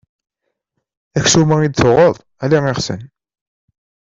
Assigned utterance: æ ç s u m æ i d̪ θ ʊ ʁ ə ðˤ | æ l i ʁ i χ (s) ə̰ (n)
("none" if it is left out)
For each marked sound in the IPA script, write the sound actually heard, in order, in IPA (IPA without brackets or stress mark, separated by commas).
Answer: s, n